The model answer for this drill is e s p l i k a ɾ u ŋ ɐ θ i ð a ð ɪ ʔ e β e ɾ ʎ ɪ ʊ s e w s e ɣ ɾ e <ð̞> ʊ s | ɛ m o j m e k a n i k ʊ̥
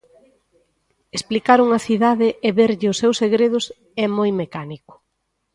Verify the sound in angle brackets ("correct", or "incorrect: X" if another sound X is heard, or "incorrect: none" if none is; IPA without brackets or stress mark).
correct